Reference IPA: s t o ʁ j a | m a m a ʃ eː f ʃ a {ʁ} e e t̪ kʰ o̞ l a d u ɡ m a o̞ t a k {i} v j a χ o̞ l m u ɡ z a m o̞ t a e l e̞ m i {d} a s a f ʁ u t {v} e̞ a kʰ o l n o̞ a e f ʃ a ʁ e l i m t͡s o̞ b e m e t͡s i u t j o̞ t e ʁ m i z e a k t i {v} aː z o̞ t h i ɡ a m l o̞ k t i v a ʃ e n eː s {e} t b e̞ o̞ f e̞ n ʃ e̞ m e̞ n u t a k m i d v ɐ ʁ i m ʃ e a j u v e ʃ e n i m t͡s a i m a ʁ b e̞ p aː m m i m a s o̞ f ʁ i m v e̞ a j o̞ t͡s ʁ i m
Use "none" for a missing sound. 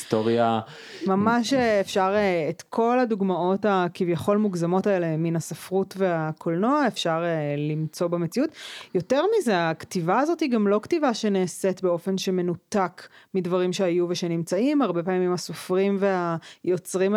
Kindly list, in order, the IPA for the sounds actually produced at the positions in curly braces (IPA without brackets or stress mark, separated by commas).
ʁ, i, n, v, v, e